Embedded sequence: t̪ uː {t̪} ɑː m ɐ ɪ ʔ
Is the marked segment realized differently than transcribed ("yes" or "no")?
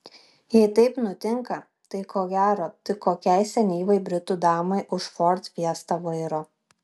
yes